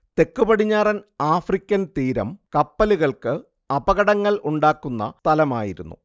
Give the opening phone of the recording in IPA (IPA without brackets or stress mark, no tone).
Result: t̪